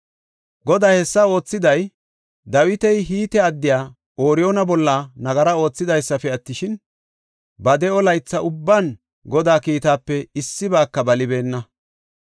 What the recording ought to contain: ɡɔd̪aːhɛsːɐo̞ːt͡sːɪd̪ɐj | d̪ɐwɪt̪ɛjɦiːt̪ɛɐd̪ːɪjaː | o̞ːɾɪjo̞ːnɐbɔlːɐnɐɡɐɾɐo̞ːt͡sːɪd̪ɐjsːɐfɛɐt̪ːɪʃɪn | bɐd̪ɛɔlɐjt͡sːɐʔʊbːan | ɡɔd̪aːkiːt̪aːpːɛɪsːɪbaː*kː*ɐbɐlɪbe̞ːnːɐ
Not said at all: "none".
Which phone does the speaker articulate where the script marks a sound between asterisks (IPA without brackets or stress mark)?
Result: kː